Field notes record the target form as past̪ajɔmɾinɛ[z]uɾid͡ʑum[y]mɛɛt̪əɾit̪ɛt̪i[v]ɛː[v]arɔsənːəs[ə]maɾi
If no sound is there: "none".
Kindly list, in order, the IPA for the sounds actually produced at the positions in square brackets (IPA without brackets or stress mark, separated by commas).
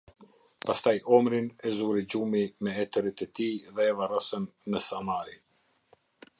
z, i, ð, v, a